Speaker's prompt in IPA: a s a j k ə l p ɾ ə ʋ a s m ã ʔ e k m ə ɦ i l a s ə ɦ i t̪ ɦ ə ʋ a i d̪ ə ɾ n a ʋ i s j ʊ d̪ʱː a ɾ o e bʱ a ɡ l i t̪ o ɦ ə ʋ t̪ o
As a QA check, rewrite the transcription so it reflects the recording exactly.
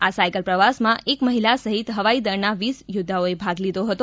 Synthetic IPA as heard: a s a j k ə l p ɾ ə ʋ a s m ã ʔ e k m ə ɦ i l a s ə ɦ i t̪ ɦ ə ʋ a i d̪ ə ɾ n a ʋ i s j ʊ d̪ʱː a o e bʱ a ɡ l i d̪ o ɦ ə t̪ o